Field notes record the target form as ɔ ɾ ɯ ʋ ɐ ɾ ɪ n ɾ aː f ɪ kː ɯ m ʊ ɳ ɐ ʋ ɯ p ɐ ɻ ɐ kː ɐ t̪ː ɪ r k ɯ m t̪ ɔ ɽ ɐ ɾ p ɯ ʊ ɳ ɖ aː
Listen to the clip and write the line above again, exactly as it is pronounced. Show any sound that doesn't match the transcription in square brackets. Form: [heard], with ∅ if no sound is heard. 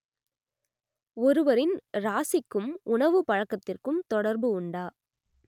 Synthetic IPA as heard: ɔ ɾ ɯ ʋ ɐ ɾ ɪ n ɾ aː [s] ɪ kː ɯ m ʊ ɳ ɐ ʋ ɯ p ɐ ɻ ɐ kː ɐ t̪ː ɪ r k ɯ m t̪ ɔ ɽ ɐ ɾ [b] ɯ ʊ ɳ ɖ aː